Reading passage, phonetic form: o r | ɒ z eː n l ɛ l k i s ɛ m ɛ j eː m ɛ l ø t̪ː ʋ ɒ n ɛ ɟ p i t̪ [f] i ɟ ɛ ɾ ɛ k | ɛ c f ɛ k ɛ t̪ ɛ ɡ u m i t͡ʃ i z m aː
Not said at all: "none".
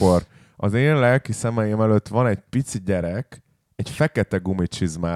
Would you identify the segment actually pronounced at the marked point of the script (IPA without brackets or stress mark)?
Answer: s